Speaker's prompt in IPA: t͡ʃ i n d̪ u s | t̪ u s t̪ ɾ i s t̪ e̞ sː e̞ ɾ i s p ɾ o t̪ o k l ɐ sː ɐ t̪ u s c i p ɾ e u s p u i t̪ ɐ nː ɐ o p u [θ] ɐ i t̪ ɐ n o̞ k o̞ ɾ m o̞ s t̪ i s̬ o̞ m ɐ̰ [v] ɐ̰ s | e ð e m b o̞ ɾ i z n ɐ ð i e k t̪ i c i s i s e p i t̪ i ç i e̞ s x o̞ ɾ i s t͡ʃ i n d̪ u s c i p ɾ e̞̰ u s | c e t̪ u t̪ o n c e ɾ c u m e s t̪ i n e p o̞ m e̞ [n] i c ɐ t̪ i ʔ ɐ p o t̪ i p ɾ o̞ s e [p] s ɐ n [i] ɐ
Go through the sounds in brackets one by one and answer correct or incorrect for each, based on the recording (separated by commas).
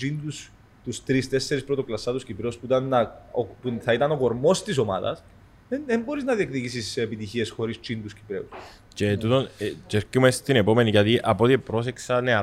correct, incorrect, correct, incorrect, incorrect